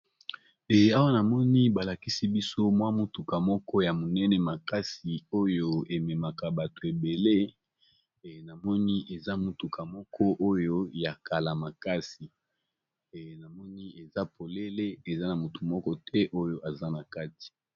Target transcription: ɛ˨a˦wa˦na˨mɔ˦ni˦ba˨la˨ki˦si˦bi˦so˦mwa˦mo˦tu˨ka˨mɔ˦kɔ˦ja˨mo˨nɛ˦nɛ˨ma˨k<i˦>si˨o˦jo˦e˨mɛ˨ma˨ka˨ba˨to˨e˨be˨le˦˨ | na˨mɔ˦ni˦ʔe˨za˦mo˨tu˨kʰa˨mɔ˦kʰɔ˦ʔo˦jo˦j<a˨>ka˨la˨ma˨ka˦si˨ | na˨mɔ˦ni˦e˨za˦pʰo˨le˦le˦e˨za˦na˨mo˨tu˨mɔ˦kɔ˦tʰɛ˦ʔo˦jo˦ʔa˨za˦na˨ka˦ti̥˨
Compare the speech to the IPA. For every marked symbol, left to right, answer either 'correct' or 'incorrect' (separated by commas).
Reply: incorrect, correct